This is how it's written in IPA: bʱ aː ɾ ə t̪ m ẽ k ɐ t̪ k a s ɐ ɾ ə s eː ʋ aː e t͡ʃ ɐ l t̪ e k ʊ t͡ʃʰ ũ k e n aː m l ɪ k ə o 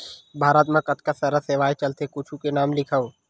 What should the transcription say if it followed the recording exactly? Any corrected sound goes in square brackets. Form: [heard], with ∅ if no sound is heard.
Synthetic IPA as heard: bʱ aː ɾ ə t̪ m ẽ k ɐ t̪ k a s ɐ ɾ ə s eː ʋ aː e t͡ʃ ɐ l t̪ e k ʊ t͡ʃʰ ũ k e n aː m l ɪ [kʰ] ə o

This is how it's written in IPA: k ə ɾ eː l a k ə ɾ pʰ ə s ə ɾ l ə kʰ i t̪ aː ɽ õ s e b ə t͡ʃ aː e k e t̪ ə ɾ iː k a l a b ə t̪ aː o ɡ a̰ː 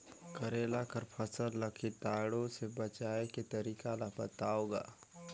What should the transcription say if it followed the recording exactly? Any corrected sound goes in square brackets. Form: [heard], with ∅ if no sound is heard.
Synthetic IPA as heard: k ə ɾ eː l a k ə ɾ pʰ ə s ə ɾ l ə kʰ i t̪ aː ɽ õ s e b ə t͡ʃ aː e k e t̪ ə ɾ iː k a l a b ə t̪ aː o ɡ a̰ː

